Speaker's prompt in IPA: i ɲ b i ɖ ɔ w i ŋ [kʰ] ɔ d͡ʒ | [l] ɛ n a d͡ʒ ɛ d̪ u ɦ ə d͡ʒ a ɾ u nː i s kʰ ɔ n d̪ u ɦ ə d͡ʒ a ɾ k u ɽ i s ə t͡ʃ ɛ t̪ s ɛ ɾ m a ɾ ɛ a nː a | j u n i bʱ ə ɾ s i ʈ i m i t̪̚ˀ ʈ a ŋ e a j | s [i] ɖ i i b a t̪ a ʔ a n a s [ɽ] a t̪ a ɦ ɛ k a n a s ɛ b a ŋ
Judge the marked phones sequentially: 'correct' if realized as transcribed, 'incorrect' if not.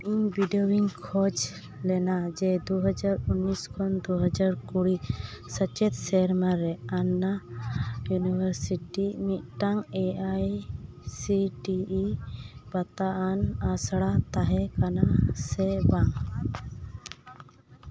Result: correct, correct, correct, correct

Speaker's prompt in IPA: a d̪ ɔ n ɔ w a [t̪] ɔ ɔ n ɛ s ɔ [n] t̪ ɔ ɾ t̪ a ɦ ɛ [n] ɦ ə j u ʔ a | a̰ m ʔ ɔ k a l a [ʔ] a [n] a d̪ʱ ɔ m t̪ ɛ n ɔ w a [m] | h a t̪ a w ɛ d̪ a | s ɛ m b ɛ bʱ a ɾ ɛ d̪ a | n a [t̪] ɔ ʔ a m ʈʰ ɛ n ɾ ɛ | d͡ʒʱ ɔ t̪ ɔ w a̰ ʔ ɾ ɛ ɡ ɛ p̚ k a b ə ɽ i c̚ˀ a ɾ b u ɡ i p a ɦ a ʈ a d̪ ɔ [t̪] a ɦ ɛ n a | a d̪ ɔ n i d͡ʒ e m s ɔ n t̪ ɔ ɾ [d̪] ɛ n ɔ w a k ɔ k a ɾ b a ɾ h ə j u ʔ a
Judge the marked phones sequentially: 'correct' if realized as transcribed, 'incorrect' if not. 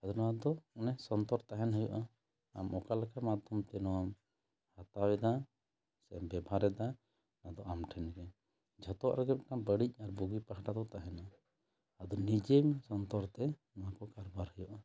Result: incorrect, correct, correct, incorrect, incorrect, correct, incorrect, correct, incorrect

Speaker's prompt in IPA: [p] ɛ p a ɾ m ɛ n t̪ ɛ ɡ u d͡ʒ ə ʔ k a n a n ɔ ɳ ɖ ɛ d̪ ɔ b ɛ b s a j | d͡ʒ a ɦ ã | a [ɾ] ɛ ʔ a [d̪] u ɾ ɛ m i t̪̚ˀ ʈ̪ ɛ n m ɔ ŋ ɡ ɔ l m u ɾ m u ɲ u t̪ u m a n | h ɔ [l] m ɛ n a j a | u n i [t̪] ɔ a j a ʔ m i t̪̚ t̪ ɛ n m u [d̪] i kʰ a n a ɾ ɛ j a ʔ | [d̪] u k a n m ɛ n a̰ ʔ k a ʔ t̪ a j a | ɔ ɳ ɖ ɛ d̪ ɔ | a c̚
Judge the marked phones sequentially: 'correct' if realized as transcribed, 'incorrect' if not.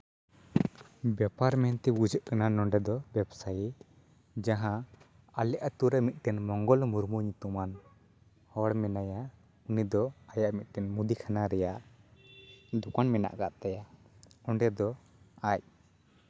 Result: incorrect, incorrect, incorrect, incorrect, incorrect, correct, correct

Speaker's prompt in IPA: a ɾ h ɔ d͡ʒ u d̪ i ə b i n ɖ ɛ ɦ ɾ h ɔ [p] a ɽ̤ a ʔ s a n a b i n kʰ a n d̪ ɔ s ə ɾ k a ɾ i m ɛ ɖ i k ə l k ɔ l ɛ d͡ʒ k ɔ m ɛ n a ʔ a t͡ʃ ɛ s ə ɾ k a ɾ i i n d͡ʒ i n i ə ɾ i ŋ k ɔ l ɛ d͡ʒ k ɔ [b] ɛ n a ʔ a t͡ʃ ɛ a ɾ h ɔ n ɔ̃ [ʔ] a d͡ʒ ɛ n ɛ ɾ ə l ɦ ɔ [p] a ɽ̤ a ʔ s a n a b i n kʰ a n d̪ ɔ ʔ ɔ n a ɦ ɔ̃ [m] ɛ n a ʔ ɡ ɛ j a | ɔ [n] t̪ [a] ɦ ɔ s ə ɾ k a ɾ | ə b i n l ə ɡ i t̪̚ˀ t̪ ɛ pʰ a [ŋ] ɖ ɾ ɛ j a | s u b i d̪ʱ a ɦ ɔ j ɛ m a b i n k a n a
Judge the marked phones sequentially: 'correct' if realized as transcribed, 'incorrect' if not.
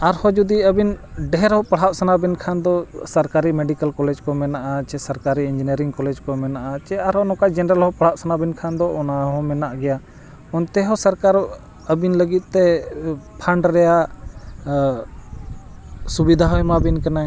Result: correct, incorrect, incorrect, correct, correct, correct, incorrect, incorrect

